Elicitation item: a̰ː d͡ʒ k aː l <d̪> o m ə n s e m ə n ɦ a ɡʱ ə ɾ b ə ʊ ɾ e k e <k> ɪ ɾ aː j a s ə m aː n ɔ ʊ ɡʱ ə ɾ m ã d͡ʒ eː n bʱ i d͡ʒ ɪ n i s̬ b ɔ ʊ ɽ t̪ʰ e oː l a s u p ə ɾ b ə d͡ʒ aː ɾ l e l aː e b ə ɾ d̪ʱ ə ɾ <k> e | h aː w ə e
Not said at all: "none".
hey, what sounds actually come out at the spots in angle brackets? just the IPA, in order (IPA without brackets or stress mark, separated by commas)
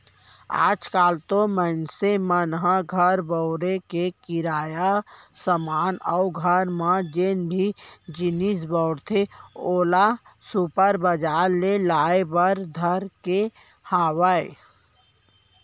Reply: t̪, k, k